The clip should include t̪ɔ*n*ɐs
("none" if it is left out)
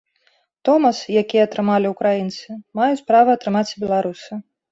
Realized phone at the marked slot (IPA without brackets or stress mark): m